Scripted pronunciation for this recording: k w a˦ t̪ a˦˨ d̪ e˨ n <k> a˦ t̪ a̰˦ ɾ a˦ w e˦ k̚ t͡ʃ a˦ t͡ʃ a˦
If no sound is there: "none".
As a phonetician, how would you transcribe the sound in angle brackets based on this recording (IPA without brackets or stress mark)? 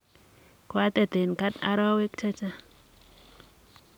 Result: k